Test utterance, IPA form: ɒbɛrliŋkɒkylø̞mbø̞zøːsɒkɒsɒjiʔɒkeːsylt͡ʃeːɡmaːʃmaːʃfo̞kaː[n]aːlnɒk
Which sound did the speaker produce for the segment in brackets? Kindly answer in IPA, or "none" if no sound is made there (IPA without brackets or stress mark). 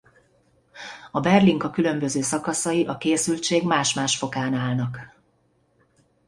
n